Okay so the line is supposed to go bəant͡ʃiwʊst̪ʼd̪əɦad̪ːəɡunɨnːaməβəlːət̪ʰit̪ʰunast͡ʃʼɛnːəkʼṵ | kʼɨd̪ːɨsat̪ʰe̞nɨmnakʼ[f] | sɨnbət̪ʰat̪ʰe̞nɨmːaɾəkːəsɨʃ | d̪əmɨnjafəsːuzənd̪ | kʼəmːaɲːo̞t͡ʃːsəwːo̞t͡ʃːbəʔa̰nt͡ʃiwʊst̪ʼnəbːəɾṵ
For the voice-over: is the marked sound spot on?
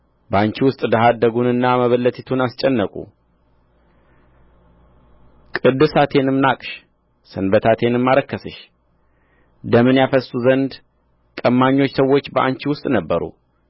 no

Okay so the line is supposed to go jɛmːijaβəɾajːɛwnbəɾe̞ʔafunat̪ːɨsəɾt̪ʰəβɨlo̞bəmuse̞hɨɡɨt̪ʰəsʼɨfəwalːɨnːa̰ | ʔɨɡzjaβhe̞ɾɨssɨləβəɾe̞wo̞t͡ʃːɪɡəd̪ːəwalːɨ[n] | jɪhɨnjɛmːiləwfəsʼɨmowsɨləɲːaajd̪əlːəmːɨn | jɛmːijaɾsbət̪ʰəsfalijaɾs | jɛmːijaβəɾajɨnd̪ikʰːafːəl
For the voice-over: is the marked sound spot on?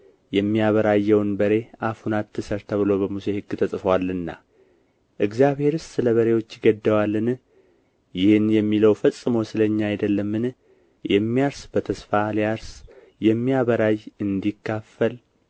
yes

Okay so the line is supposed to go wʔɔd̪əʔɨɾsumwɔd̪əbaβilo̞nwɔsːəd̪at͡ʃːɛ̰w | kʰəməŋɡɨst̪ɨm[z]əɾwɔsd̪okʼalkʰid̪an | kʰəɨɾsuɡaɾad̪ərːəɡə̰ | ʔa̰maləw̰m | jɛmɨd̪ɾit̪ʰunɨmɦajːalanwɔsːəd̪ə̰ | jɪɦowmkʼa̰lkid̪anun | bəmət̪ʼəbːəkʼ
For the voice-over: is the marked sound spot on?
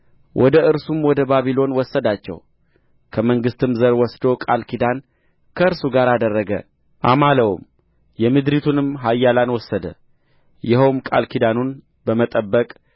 yes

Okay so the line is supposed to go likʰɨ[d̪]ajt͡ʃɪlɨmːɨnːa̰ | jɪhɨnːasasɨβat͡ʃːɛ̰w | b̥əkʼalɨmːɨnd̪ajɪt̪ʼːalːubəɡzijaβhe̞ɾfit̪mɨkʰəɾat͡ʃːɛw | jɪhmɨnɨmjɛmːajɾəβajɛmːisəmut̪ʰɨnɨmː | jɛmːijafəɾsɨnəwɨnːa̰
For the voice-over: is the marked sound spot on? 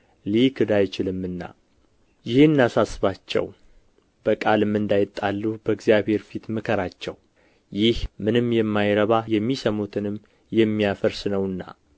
yes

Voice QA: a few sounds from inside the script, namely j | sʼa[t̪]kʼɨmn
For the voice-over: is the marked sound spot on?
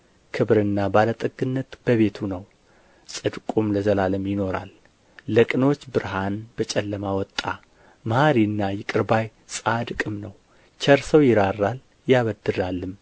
no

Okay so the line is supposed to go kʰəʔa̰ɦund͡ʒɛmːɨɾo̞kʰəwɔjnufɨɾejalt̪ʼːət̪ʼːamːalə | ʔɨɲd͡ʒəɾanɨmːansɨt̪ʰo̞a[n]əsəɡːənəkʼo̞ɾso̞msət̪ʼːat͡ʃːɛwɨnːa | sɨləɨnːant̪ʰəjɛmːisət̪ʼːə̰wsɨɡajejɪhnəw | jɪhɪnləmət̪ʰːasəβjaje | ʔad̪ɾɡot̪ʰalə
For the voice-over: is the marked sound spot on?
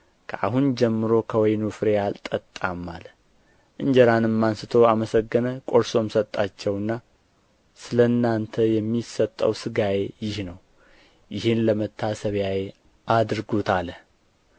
no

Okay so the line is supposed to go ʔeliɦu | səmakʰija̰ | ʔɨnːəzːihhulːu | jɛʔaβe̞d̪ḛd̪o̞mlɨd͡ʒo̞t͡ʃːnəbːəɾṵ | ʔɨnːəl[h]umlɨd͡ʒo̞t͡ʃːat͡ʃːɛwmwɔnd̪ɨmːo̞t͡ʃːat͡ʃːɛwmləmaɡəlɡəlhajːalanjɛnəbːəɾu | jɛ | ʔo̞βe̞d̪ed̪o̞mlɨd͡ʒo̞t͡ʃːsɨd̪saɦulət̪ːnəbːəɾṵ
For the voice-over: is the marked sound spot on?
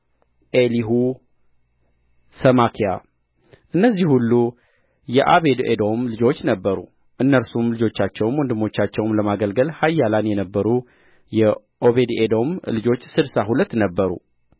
no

